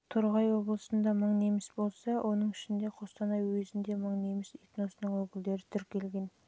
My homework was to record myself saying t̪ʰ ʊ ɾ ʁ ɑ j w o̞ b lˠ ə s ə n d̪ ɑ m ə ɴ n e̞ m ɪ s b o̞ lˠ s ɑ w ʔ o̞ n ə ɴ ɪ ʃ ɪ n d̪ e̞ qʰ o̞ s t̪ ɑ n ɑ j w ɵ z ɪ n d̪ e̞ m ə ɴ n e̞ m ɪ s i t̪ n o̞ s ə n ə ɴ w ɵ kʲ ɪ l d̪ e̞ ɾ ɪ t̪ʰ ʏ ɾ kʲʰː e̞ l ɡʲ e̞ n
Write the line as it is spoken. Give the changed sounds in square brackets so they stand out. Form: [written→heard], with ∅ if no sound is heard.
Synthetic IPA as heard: t̪ʰ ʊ ɾ ʁ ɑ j w o̞ b lˠ ə s ə n d̪ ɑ m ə ɴ n e̞ m ɪ s b o̞ lˠ s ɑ w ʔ o̞ n ə ɴ ɪ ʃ ɪ n d̪ e̞ qʰ o̞ s t̪ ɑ n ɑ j w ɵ z ɪ n d̪ e̞ m ə ɴ n e̞ m ɪ s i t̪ n o̞ s ə n ə ɴ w ɵ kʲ ɪ l d̪ e̞ ɾ ɪ t̪ʰ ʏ ɾ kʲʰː e̞ l ɡʲ e̞ n